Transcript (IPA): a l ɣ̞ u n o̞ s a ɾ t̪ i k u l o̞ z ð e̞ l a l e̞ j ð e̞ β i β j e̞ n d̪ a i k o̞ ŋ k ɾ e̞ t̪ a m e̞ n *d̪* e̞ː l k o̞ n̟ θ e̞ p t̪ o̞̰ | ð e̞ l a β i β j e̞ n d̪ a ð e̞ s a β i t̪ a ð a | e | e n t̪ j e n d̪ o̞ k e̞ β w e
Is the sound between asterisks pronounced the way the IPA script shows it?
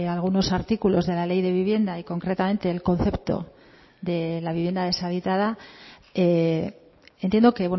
no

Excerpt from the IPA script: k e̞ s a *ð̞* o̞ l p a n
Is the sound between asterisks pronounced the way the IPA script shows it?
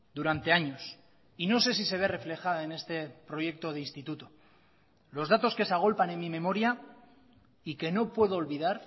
no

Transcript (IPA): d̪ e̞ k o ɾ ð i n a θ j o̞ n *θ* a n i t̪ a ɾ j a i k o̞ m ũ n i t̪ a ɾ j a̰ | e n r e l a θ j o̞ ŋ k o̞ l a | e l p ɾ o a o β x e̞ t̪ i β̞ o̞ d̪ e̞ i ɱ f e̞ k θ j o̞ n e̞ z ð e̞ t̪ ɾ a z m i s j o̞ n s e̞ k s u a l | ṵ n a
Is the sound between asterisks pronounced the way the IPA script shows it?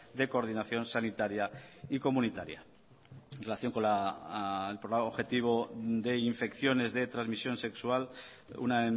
no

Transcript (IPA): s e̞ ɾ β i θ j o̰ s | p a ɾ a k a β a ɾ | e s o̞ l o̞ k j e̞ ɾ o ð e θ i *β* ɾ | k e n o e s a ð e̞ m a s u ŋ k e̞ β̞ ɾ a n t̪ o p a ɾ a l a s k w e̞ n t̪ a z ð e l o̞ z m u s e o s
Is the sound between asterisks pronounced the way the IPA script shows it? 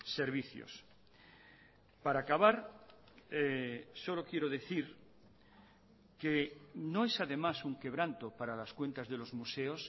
no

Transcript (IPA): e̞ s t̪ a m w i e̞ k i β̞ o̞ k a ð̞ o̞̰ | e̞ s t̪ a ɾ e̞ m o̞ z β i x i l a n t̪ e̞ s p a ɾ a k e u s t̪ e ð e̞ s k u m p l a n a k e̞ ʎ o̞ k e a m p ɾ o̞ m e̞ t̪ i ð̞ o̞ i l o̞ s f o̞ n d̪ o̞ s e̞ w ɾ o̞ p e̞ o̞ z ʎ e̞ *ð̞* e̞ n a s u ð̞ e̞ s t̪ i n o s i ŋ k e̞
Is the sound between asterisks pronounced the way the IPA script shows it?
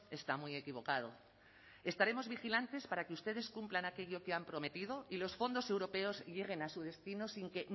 no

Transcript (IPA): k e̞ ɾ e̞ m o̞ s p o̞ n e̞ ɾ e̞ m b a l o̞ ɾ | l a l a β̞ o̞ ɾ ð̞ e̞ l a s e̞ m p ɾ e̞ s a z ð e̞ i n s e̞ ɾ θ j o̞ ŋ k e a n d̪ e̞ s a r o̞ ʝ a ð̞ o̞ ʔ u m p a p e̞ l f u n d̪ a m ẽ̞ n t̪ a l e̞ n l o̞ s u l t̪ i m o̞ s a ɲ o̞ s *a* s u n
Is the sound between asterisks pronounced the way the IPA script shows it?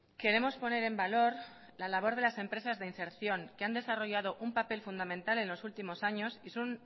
no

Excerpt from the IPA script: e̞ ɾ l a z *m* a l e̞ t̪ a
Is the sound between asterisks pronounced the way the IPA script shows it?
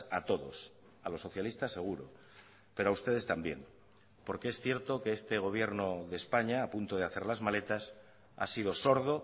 yes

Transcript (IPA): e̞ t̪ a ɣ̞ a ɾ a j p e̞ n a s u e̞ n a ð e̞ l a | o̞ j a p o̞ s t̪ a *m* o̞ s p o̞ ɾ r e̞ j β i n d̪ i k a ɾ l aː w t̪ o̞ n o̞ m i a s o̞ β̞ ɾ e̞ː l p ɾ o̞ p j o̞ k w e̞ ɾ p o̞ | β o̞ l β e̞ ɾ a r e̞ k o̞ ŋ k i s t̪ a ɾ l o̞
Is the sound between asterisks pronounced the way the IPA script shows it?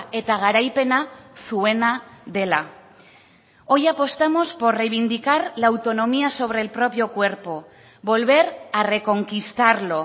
yes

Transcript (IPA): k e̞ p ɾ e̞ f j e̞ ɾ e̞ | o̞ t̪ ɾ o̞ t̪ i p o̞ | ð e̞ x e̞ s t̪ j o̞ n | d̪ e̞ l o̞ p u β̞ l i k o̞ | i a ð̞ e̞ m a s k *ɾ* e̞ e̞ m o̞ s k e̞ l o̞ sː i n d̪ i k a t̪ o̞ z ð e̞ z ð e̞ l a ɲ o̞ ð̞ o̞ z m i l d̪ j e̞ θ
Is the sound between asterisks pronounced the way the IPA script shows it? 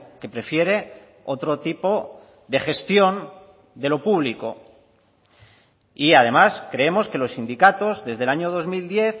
yes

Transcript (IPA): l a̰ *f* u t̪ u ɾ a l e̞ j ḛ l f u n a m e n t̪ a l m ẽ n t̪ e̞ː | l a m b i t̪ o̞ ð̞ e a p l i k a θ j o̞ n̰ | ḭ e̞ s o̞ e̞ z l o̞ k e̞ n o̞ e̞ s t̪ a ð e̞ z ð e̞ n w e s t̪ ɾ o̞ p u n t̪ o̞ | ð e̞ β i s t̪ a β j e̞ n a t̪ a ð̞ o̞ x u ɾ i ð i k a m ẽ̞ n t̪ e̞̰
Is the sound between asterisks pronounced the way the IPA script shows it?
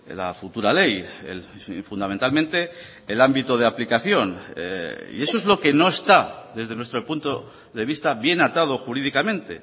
yes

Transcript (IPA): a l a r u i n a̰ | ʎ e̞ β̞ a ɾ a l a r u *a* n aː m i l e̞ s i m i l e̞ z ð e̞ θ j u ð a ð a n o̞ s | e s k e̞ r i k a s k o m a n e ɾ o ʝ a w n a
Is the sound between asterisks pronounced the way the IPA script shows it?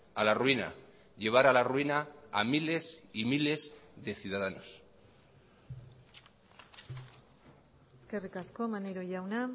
no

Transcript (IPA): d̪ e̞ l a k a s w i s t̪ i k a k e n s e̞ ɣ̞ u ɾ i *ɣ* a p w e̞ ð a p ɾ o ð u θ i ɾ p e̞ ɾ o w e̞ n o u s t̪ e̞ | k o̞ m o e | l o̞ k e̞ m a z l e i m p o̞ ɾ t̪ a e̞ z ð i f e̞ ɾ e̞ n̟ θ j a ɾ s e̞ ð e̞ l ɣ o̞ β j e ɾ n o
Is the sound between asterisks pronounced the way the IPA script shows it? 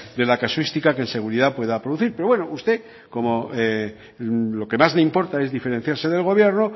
no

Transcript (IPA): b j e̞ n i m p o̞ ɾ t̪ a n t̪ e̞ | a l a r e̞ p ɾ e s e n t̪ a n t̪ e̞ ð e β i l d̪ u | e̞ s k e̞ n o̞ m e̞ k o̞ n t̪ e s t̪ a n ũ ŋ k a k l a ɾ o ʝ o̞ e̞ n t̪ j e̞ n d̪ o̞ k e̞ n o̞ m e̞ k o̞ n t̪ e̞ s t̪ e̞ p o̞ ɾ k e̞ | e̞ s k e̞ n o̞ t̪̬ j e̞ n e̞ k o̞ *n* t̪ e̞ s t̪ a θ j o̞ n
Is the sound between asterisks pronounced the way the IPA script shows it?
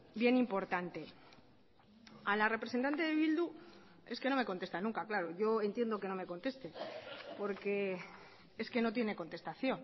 yes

